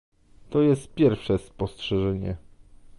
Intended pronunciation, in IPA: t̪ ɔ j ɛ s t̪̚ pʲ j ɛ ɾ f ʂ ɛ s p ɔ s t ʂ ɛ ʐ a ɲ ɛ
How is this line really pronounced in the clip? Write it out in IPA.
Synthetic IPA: t̪ ɔ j ɛ s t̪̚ pʲ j ɛ ɾ f ʂ ɛ s p ɔ s t ʂ ɛ ʐ ɛ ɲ ɛ